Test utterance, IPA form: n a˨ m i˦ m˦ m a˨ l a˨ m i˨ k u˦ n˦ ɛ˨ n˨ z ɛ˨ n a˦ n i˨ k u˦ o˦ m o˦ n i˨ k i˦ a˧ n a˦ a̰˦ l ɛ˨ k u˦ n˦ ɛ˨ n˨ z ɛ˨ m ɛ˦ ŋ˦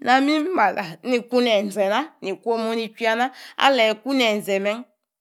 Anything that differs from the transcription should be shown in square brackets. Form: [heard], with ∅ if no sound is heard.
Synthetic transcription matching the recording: n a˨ m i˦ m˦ m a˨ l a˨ [n] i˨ k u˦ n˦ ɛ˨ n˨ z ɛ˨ n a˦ n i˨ k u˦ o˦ m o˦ n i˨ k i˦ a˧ n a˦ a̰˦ l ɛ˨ k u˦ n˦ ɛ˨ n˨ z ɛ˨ m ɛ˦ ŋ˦